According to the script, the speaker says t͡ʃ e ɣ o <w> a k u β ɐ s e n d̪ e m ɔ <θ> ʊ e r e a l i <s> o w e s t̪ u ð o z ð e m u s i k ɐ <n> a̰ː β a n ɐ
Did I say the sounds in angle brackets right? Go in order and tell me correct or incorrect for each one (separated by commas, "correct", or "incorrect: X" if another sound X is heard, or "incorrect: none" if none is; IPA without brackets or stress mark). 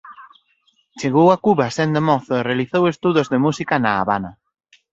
correct, correct, incorrect: θ, correct